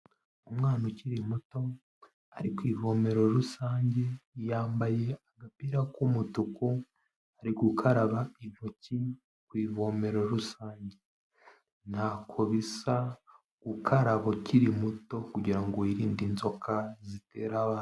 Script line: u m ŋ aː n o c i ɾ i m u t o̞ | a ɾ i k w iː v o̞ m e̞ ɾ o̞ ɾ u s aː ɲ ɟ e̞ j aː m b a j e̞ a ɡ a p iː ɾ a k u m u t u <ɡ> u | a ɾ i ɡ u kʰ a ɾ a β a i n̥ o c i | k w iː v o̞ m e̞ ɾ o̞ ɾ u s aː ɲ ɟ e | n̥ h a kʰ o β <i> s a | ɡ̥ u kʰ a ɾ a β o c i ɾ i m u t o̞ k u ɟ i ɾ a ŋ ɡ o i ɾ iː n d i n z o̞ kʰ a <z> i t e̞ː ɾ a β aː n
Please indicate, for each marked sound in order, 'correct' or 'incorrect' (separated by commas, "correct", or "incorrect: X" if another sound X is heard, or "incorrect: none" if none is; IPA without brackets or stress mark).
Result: incorrect: k, correct, correct